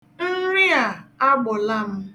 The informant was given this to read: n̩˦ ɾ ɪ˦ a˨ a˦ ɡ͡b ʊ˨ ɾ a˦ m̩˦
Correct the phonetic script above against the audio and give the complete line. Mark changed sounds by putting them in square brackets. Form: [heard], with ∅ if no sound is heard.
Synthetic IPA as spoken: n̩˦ ɾ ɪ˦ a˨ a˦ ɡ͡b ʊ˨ [l] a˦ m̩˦